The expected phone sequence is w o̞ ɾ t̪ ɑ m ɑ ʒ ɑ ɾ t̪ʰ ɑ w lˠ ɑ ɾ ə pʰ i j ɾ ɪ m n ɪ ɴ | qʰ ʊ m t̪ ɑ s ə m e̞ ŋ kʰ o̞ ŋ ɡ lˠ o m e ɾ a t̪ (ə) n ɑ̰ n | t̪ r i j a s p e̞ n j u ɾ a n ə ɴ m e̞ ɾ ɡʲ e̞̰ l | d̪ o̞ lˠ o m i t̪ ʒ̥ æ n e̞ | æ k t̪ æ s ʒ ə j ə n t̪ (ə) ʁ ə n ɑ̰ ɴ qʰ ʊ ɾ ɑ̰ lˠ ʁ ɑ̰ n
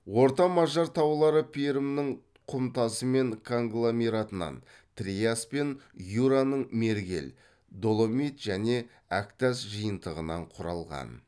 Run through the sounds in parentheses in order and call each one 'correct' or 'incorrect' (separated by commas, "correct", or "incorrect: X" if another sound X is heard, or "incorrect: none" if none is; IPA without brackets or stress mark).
correct, correct